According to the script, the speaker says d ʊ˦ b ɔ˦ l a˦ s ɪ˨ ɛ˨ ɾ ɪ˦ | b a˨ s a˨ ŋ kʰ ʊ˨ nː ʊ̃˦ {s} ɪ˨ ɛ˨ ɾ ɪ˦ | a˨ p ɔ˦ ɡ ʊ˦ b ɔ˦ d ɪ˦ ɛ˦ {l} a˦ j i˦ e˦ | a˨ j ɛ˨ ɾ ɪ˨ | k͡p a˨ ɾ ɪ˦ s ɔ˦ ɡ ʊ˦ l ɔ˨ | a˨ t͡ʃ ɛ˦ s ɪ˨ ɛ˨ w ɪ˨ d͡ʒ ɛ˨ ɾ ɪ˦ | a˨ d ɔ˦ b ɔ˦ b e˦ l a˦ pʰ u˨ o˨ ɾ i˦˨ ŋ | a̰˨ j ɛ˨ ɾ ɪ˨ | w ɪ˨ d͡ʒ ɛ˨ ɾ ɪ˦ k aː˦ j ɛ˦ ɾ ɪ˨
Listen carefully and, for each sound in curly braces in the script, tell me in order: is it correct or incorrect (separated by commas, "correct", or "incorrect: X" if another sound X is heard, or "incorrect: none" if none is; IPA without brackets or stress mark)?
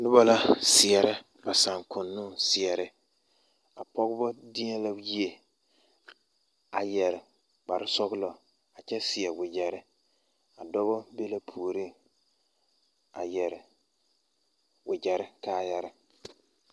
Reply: correct, correct